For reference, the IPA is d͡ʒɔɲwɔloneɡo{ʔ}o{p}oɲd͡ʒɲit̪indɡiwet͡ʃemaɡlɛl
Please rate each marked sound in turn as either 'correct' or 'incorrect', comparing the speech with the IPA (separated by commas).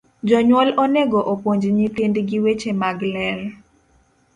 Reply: correct, correct